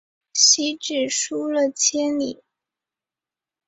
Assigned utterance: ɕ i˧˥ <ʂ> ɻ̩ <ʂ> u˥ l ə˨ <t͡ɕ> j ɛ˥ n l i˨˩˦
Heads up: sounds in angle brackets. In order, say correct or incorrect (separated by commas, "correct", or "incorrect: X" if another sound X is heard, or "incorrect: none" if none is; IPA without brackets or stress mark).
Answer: incorrect: ʈ͡ʂ, correct, incorrect: t͡ɕʰ